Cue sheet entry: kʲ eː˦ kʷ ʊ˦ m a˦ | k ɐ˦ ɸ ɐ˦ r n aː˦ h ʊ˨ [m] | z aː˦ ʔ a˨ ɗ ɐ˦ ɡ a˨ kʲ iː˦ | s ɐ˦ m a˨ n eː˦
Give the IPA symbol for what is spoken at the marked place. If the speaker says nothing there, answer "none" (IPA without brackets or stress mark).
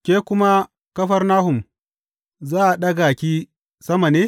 m